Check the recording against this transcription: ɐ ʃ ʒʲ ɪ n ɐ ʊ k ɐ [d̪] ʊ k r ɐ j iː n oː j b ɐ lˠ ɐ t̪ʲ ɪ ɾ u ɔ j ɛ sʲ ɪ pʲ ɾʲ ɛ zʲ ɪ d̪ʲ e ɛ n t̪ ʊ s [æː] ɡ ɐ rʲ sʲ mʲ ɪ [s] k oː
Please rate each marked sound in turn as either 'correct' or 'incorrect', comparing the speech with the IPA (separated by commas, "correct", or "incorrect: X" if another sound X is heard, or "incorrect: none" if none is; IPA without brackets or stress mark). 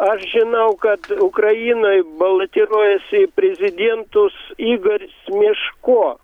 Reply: incorrect: t̪, incorrect: iː, incorrect: ʃ